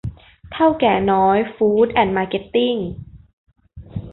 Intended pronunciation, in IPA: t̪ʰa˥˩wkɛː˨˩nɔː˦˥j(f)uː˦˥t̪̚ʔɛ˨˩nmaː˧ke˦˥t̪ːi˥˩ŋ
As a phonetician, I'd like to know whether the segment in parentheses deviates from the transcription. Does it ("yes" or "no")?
no